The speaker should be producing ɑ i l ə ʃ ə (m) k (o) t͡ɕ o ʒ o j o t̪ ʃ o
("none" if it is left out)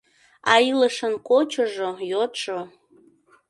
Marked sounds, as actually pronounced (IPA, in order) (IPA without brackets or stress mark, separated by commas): n, o